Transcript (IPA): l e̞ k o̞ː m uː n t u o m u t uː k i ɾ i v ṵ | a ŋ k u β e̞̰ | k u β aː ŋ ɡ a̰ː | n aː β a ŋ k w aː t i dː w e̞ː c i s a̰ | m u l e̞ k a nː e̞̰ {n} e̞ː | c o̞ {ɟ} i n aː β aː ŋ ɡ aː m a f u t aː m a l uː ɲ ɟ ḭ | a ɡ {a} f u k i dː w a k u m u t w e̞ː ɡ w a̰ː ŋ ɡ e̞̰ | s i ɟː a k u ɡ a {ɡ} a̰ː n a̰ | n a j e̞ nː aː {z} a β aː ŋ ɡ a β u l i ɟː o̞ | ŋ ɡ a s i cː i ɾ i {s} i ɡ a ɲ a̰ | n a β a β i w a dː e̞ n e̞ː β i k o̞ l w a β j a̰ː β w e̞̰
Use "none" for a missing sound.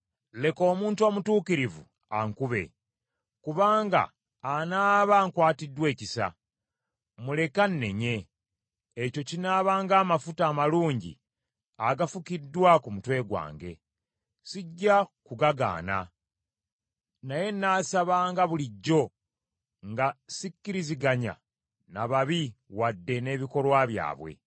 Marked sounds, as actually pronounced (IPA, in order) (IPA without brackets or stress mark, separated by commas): ɲ, c, a, ɡ, s, z